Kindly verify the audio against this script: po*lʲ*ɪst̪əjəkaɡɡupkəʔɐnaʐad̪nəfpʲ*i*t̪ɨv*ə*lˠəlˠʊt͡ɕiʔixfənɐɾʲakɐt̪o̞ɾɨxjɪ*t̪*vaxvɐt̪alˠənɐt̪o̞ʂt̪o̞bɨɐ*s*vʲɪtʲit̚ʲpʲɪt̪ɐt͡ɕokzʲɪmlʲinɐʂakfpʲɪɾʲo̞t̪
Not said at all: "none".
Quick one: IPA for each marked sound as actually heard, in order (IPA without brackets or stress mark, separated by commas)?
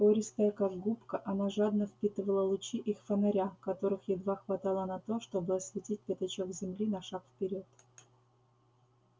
ɾʲ, i, ə, d̪, s